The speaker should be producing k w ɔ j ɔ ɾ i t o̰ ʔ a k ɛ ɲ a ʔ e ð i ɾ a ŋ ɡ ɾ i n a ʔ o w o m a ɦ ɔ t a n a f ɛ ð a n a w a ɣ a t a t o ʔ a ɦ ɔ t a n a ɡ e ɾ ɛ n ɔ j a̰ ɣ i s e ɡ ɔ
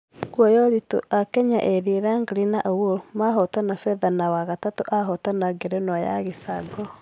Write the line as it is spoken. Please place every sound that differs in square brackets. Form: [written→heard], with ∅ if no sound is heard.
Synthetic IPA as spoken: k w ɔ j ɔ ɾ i t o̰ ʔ a k ɛ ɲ a ʔ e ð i ɾ a ŋ ɡ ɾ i n a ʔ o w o m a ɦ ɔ t a n a f ɛ ð a n a w a ɣ a t a t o ʔ a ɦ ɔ t a n a ɡ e ɾ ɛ n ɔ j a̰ ɣ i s [e→a] ɡ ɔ